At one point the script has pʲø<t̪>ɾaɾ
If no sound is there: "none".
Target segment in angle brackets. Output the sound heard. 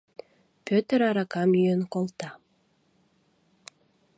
t̪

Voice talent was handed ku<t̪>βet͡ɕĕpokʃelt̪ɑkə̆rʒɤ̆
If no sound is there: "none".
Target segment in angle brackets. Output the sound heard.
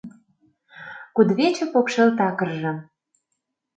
d̪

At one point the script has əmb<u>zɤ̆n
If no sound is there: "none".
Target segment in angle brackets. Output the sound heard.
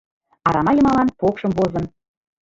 o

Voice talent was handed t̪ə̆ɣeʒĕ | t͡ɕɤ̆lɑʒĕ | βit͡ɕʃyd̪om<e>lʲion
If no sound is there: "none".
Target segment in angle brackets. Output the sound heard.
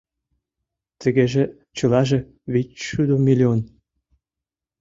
i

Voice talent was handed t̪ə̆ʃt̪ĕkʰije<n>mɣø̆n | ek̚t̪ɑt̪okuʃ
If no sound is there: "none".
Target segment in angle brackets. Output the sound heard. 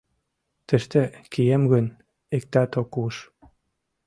none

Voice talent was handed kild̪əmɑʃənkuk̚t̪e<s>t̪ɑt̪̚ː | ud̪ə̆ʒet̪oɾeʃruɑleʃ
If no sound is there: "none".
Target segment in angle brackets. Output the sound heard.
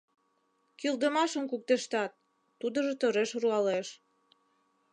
ʃ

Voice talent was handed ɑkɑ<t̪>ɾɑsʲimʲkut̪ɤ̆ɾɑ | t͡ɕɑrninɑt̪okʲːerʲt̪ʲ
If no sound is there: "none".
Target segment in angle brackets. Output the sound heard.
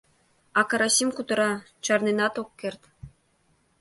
none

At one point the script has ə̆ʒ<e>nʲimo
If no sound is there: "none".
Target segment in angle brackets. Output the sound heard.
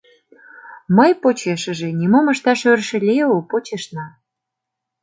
e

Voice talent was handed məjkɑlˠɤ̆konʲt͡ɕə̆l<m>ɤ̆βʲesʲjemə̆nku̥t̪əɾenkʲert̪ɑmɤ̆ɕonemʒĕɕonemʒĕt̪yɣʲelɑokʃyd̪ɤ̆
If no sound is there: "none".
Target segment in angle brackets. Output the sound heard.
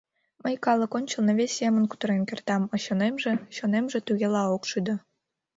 n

